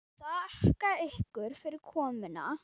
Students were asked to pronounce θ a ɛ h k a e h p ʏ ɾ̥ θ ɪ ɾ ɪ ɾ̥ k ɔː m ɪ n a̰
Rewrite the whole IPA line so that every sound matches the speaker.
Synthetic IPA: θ a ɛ h k a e h k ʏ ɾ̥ f ɪ ɾ ɪ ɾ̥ kʰ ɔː m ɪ n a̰